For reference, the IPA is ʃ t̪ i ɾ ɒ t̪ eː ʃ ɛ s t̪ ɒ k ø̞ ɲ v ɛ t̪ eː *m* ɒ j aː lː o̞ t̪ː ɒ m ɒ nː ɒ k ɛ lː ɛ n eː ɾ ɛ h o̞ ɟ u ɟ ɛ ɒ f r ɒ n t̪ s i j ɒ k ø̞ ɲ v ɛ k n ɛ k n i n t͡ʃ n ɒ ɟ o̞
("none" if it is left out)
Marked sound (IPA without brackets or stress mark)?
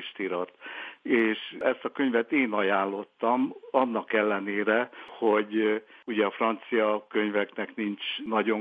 n